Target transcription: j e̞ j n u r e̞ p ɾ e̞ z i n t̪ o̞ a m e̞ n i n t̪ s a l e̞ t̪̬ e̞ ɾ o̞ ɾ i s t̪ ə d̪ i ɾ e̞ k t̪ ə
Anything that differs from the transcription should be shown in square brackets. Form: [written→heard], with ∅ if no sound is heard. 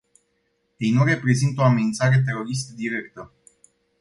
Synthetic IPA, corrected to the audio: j e̞ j n u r e̞ p ɾ e̞ z i n t̪ o̞ a m e̞ n i n t̪ s a [l→ɾ] e̞ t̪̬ e̞ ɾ o̞ ɾ i s t̪ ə d̪ i ɾ e̞ k t̪ ə